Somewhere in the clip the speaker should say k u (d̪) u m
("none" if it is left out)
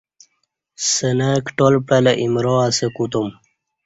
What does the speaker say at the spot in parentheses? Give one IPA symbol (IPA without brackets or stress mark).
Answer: t̪